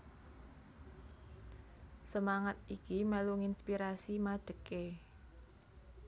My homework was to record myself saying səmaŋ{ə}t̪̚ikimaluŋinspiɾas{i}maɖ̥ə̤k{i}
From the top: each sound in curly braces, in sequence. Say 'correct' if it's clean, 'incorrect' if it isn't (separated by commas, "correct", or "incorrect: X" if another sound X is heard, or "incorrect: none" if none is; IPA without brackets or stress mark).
incorrect: a, correct, incorrect: e